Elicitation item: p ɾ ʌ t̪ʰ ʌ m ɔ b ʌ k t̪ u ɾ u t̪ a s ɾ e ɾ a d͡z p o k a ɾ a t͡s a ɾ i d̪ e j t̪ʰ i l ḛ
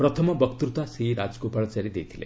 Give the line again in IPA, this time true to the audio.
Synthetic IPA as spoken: p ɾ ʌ t̪ʰ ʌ m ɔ b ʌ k t̪ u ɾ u t̪ a s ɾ i ɾ a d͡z k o p a ɭ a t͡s a ɾ i d̪ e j t̪ʰ i l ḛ